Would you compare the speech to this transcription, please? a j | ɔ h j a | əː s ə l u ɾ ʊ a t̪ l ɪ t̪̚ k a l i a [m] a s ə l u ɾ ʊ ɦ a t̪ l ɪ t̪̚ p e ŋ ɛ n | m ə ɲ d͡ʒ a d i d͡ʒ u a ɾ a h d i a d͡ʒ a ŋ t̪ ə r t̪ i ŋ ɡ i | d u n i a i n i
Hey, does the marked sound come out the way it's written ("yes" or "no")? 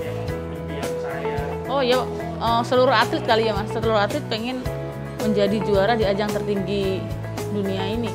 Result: yes